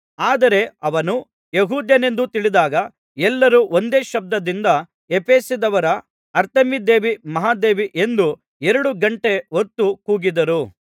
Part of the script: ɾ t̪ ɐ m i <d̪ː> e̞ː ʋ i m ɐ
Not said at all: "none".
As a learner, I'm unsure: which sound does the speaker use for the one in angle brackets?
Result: d̪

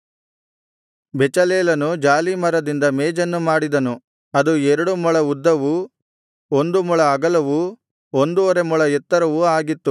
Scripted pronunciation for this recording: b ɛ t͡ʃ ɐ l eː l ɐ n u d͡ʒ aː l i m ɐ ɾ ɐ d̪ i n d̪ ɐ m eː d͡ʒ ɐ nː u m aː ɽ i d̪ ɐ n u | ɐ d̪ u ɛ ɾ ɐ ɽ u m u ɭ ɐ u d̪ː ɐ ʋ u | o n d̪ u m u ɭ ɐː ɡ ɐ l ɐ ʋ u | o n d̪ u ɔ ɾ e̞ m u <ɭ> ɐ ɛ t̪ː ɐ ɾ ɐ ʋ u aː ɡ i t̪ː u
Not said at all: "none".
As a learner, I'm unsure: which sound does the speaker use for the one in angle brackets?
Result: ɭ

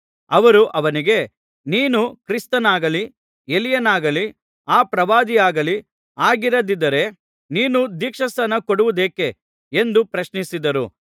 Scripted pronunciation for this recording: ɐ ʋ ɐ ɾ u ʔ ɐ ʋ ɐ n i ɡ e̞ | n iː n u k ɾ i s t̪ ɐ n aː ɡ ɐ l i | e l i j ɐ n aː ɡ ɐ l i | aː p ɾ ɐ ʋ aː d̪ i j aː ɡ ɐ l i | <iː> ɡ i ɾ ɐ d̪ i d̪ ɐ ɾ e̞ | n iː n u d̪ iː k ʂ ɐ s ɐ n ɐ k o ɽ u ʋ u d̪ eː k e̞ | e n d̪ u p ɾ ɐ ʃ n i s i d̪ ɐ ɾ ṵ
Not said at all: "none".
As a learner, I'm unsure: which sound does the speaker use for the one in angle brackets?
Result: aː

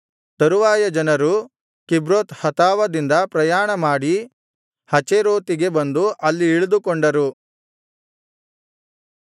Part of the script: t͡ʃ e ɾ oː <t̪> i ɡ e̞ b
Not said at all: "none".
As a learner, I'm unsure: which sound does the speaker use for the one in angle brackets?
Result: t̪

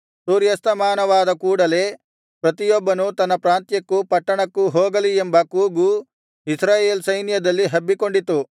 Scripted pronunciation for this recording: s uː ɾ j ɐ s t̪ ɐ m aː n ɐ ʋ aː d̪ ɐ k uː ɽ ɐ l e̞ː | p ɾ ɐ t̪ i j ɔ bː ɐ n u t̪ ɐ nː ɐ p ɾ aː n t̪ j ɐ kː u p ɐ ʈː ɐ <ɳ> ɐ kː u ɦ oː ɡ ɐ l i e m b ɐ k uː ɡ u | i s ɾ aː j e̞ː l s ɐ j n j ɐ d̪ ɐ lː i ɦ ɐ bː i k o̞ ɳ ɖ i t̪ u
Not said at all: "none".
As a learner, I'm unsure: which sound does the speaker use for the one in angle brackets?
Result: ɳ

